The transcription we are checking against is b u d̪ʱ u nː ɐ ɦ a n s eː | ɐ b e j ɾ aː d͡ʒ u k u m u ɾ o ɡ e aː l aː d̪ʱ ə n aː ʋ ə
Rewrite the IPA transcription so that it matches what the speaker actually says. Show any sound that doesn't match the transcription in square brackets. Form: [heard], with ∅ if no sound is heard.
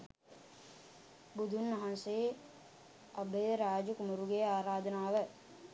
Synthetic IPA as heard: b u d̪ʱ u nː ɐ ɦ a n s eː | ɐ b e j ɾ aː d͡ʒ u k u m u ɾ [u] ɡ e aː [ɾ] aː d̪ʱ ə n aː ʋ ə